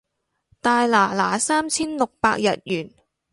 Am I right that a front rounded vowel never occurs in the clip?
no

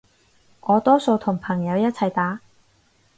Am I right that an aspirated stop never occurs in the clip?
no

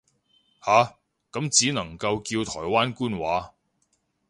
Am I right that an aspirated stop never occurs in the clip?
no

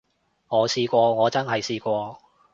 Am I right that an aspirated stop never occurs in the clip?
yes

